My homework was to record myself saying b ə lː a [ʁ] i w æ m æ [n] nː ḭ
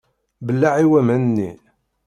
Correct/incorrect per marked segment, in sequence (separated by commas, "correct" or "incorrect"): incorrect, correct